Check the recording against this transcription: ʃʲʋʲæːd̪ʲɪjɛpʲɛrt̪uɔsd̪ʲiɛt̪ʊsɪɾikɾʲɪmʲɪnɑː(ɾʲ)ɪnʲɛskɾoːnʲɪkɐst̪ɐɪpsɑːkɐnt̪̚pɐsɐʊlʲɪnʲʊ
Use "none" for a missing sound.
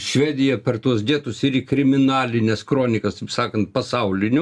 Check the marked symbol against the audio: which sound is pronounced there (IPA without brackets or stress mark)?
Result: lʲ